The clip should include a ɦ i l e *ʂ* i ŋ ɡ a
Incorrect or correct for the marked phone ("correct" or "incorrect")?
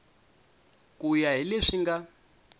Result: correct